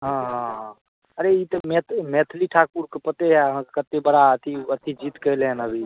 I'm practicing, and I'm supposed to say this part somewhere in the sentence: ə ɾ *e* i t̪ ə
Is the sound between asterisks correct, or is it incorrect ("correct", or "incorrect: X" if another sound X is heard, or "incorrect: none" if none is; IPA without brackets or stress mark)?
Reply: correct